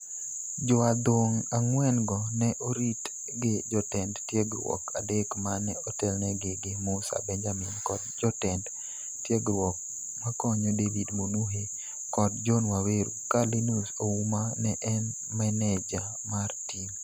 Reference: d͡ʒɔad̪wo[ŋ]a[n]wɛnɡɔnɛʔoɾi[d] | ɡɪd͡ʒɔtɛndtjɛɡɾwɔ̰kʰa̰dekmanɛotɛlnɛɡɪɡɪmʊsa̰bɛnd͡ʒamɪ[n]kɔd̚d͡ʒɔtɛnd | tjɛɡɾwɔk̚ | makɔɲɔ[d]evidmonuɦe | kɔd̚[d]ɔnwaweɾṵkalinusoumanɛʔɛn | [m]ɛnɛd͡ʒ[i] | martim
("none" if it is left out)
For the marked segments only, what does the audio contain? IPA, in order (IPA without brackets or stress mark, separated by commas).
ŋ, ŋ, t, n, d, d͡ʒ, m, a